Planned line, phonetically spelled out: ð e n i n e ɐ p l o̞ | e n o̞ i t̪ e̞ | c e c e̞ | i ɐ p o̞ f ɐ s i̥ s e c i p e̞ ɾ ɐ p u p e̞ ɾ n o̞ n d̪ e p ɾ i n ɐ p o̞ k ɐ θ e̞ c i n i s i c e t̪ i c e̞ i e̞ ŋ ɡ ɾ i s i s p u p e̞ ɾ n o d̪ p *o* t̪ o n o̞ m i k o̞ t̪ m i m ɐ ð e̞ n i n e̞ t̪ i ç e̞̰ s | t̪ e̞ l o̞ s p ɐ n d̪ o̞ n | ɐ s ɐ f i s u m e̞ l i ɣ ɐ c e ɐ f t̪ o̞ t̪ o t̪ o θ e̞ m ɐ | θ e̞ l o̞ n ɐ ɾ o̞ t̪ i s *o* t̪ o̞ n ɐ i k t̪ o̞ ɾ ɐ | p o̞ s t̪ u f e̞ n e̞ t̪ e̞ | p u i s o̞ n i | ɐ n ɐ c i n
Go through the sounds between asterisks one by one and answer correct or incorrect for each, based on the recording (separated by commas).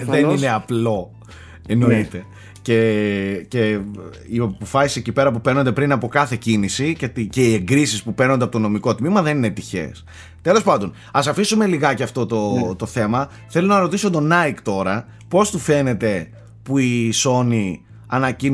correct, correct